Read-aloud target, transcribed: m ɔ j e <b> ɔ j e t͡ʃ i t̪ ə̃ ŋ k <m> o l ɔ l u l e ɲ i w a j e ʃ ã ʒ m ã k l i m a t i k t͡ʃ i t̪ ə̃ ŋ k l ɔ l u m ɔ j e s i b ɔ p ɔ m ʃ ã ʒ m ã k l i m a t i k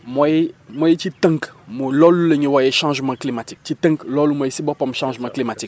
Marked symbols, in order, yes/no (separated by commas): no, yes